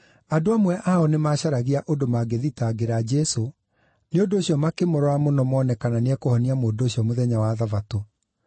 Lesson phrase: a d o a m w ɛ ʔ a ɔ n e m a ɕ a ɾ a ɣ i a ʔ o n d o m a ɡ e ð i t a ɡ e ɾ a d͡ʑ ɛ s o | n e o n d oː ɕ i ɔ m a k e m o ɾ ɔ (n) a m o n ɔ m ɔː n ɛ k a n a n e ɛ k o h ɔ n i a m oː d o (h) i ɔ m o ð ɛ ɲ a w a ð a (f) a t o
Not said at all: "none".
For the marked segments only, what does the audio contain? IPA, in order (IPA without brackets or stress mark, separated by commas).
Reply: none, ɕ, v